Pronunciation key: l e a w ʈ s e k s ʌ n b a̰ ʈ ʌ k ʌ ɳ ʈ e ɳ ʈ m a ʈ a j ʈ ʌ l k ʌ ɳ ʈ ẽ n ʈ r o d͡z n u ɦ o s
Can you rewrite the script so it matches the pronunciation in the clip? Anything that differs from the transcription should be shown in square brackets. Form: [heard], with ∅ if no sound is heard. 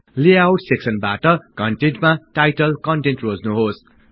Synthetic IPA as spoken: l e a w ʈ s e k s ʌ n b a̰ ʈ ʌ k ʌ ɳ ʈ e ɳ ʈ m a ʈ a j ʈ ʌ l k ʌ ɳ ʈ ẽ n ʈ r o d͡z n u ɦ o s